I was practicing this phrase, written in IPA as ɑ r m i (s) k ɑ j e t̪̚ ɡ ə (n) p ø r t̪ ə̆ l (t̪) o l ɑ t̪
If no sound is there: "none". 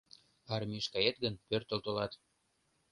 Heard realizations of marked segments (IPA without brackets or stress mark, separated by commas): ʃ, n, t̪